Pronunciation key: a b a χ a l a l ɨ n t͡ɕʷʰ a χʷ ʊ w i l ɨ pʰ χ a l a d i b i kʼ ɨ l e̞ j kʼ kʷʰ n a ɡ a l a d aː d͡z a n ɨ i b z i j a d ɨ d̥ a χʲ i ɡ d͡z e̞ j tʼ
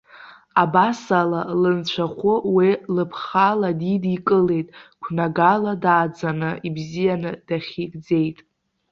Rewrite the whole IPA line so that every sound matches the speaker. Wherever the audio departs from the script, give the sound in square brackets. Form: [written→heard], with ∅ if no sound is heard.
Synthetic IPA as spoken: a b a [χ→s] a l a l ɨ n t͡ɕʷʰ a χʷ ʊ w i l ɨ pʰ χ a l a d i [b→d] i kʼ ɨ l e̞ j [kʼ→tʼ] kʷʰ n a ɡ a l a d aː d͡z a n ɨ i b z i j a [d→n] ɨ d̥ a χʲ i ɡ d͡z e̞ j tʼ